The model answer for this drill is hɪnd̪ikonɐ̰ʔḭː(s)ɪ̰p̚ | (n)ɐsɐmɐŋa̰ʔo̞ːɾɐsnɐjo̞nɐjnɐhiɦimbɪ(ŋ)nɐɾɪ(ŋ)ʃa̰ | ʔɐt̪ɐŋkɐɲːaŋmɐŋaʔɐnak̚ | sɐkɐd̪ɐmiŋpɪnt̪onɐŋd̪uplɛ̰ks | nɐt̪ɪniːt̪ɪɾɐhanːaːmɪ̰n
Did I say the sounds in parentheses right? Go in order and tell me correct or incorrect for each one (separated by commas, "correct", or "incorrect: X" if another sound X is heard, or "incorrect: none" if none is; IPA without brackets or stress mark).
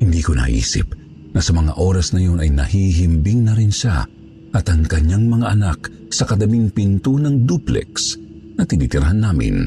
correct, correct, correct, incorrect: n